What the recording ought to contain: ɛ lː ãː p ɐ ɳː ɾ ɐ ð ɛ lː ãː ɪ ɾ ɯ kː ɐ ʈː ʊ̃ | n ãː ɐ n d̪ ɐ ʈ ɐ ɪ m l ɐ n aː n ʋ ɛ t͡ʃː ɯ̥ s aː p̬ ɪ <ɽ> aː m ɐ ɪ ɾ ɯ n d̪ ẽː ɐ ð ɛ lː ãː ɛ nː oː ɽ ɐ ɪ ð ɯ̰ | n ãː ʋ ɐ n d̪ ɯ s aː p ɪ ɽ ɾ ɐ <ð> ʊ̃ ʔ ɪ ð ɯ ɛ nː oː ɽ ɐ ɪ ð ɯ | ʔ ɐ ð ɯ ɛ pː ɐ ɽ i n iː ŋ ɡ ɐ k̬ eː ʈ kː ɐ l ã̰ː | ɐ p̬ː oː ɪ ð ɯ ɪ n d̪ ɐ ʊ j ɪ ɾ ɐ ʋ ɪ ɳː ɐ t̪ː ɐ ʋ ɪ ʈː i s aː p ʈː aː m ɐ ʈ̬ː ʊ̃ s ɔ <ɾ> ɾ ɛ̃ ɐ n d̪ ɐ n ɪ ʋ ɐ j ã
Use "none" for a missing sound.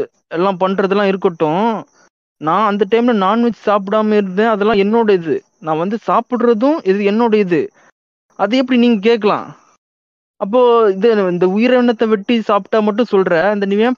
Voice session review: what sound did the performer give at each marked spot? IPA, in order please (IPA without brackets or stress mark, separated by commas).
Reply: ɽ, ð, l